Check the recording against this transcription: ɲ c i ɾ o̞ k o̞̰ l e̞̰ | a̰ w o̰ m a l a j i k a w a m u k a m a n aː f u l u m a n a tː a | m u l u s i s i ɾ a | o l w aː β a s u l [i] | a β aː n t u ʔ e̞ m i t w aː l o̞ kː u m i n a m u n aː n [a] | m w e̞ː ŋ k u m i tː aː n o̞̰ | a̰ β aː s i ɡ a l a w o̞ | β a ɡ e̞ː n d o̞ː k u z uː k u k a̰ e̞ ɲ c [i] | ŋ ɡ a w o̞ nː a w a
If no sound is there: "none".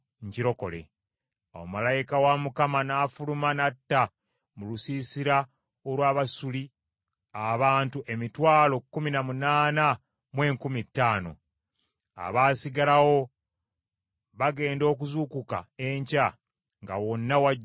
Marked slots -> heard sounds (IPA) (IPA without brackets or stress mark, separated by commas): i, a, a